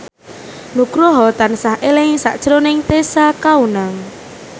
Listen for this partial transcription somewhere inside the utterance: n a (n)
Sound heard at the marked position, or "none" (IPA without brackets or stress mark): ŋ